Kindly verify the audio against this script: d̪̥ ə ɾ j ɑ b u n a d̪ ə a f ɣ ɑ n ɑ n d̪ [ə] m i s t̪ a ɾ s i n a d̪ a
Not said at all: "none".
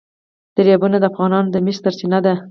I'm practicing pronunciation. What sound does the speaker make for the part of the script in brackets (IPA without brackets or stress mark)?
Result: ə